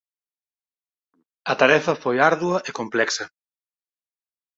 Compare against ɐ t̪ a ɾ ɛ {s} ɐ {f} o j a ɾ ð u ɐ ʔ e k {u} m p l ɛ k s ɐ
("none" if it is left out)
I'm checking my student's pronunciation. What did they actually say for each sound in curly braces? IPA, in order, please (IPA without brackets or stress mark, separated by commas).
f, f, o